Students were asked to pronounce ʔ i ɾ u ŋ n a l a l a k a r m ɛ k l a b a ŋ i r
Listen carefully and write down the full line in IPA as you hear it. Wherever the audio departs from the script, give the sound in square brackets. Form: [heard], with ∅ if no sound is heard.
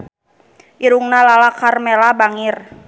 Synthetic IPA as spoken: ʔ i ɾ u ŋ n a l a l a k a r m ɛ [∅] l a b a ŋ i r